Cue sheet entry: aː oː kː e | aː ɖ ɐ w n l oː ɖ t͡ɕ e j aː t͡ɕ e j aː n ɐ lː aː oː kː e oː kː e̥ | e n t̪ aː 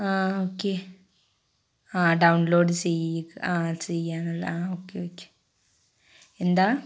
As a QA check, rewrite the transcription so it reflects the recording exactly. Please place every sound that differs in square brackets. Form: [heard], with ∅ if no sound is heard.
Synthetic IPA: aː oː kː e | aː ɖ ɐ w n l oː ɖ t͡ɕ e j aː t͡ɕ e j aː n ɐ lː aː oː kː e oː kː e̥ | e n [d̪] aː